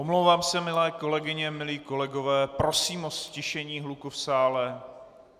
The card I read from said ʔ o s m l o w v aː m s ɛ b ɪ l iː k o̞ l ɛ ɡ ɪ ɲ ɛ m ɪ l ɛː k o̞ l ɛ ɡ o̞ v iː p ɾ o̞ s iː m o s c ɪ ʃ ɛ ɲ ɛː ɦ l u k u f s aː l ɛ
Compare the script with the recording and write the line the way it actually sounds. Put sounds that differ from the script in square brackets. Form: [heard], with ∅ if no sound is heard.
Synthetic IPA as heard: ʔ o [∅] m l o w v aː m s ɛ [m] ɪ l [ɛː] k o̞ l ɛ ɡ ɪ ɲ ɛ m ɪ l [iː] k o̞ l ɛ ɡ o̞ v [ɛː] p ɾ o̞ s iː m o s c ɪ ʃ ɛ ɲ [iː] ɦ l u k u f s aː l ɛ